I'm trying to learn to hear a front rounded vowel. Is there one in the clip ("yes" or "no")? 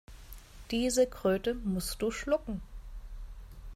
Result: yes